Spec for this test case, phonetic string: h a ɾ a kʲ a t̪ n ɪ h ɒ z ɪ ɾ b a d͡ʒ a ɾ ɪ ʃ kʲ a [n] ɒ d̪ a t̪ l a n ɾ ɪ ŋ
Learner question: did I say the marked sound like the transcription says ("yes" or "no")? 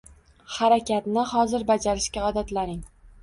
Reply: no